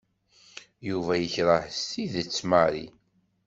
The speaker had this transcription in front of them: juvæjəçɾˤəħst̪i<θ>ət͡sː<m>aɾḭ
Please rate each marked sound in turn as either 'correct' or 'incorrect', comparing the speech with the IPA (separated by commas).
incorrect, correct